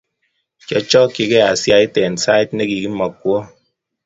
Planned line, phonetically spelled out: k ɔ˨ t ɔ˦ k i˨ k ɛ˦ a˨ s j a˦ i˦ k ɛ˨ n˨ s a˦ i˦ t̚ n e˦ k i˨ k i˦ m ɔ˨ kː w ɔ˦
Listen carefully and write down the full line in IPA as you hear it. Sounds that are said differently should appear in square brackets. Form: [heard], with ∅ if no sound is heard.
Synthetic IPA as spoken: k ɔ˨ [t͡ʃ] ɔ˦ k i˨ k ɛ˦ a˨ s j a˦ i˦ [t] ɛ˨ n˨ s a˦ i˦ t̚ n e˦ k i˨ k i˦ m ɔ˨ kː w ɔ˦